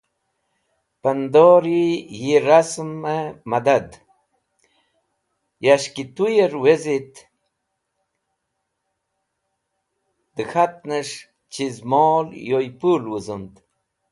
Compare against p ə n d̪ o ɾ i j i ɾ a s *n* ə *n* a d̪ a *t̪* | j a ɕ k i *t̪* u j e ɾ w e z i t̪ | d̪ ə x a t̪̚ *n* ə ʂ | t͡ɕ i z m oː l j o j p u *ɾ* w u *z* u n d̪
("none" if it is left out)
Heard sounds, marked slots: m, m, d̪, t̪, n, l, z

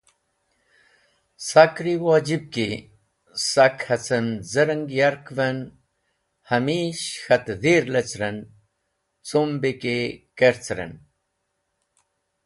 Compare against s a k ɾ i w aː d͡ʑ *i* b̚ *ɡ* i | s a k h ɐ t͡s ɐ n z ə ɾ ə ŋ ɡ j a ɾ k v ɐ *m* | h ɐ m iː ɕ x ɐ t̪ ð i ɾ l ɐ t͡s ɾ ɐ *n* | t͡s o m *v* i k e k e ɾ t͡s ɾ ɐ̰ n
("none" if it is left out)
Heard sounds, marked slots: i, k, n, n, b

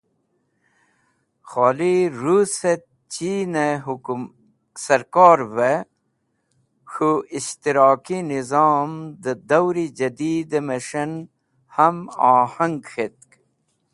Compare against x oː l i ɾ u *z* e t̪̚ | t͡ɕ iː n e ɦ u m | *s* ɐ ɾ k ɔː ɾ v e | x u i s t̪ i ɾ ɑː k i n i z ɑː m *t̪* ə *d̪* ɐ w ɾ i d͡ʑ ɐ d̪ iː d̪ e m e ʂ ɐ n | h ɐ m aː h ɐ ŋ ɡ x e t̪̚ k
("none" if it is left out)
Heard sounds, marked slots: s, s, d̪, d̪

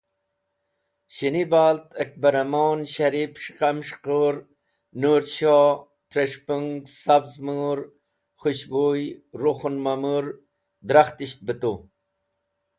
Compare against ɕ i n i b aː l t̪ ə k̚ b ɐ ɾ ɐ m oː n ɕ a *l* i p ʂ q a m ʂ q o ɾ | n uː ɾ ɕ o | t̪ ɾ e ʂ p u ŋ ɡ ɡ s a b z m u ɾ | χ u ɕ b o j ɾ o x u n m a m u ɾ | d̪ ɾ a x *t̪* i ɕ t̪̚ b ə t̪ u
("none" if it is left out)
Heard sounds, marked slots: ɾ, t̪

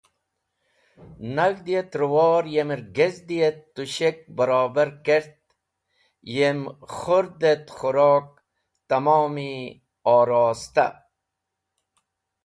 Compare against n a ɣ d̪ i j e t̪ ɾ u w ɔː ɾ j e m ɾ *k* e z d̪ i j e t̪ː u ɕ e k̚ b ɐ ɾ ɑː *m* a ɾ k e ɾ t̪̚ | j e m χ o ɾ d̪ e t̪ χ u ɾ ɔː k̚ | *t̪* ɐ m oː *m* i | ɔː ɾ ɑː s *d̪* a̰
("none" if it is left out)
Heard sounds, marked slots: ɡ, b, t̪, m, t̪

